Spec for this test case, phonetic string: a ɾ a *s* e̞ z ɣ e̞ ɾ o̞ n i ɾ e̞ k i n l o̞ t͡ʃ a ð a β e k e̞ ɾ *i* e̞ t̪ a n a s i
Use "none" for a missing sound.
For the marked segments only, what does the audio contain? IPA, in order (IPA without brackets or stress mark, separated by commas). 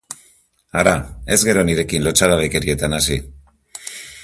none, i